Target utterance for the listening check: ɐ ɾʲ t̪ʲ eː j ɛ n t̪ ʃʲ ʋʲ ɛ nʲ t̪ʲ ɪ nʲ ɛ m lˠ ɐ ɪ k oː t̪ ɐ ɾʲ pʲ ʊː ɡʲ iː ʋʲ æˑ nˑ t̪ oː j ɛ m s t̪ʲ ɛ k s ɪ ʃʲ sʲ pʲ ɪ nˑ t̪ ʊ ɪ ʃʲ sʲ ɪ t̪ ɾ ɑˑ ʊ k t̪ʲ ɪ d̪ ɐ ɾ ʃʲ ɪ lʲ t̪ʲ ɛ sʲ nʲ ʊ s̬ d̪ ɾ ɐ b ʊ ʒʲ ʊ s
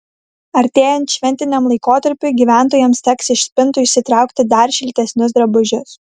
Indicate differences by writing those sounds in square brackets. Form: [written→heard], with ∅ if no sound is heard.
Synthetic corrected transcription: ɐ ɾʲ t̪ʲ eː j ɛ n t̪ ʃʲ ʋʲ ɛ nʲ t̪ʲ ɪ nʲ ɛ m lˠ ɐ ɪ k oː t̪ ɐ ɾʲ pʲ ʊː ɡʲ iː ʋʲ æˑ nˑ t̪ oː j ɛ m s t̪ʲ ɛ k s ɪ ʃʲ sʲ pʲ ɪ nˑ t̪ ʊ ɪ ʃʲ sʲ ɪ t̪ ɾ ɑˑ ʊ k t̪ʲ ɪ d̪ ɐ ɾ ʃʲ ɪ lʲ t̪ʲ ɛ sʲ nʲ ʊ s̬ d̪ ɾ ɐ b ʊ ʒʲ ʊ s